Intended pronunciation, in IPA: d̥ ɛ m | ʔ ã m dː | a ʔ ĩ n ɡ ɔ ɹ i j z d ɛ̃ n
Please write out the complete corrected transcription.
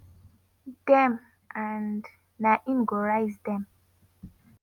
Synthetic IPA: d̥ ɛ m | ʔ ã n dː | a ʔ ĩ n ɡ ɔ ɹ a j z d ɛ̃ m